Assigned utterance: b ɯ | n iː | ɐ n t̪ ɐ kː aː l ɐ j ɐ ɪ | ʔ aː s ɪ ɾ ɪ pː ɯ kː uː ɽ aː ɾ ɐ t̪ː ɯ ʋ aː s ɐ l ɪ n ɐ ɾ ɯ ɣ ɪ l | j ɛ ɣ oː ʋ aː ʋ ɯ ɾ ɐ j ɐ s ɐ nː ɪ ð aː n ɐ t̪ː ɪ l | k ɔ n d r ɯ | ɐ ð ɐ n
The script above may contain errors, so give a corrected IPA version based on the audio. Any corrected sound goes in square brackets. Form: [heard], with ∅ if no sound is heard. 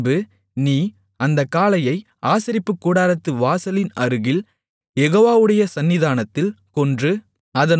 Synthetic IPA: b ɯ | n iː | ɐ n [d̪] ɐ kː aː l ɐ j ɐ ɪ | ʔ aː s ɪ ɾ ɪ pː ɯ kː uː ɽ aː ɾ ɐ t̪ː ɯ ʋ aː s ɐ l ɪ n ɐ ɾ ɯ ɣ ɪ l | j ɛ ɣ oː ʋ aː ʋ ɯ [ɽ] ɐ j ɐ s ɐ nː ɪ ð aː n ɐ t̪ː ɪ l | k ɔ n d r ɯ | ɐ ð ɐ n